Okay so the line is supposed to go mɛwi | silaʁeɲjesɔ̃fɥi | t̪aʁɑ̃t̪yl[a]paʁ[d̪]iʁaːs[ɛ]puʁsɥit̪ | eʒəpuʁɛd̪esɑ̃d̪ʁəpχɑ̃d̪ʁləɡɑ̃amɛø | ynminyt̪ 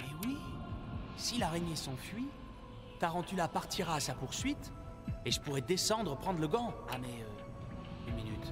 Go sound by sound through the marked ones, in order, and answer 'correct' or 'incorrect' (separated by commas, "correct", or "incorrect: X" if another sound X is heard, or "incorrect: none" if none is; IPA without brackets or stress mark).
correct, incorrect: t̪, incorrect: a